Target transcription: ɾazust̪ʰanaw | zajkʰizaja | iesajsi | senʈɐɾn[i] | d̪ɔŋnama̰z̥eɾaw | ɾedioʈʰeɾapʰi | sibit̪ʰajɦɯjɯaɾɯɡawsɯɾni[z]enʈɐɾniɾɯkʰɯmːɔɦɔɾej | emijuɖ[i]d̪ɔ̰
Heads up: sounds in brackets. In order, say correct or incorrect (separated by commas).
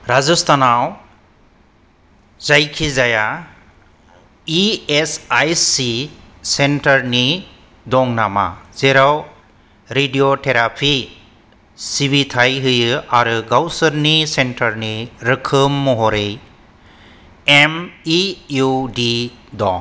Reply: correct, incorrect, correct